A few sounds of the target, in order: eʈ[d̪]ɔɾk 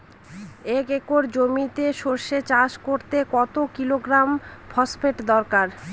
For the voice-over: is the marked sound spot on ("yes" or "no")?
yes